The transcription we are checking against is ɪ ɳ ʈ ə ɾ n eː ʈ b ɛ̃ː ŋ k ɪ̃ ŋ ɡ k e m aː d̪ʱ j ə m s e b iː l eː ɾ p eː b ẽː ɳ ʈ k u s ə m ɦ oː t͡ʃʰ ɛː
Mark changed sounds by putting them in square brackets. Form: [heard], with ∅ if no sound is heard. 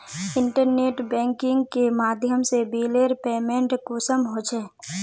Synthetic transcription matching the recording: ɪ ɳ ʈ ə ɾ n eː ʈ b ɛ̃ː ŋ k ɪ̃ ŋ ɡ k e m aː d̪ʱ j ə m s e b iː l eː ɾ p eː [m] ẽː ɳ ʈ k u s ə m ɦ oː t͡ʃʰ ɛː